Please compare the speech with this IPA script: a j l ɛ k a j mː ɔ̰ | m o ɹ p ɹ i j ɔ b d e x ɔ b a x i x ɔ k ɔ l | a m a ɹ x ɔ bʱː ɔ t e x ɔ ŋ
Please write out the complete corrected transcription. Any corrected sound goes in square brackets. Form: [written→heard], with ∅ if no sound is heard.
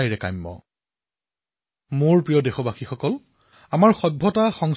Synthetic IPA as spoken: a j [l→ɹ] ɛ k a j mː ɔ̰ | m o ɹ p ɹ i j ɔ [b→∅] d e x ɔ b a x i x ɔ k ɔ l | a m a ɹ x ɔ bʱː ɔ t [e→a] x ɔ ŋ